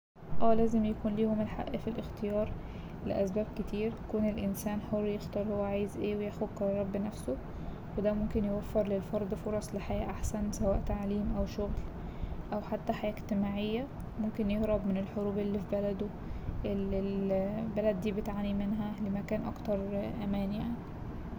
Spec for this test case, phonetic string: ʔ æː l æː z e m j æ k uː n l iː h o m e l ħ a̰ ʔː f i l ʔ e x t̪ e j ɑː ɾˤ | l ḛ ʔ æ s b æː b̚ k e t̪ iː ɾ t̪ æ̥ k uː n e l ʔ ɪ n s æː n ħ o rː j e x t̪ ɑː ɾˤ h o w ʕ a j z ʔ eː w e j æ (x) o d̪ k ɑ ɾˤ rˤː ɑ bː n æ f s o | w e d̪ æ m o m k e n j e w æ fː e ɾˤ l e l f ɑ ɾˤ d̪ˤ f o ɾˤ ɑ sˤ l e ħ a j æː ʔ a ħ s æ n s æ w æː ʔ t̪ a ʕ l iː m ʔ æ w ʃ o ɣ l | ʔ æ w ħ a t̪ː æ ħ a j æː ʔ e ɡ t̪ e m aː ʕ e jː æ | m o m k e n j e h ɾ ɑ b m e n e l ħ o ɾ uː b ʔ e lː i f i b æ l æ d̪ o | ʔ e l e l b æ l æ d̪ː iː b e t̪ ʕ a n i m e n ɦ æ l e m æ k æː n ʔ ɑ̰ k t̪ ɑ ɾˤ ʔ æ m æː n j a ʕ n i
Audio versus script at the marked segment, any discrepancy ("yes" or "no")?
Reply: no